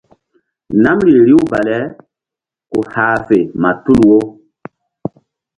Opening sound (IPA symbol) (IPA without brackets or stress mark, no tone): n